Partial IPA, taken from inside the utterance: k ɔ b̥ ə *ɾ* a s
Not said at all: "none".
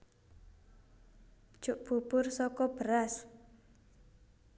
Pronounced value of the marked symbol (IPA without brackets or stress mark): ɾ